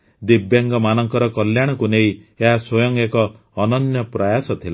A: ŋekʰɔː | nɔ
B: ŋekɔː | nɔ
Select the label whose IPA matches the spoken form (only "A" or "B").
B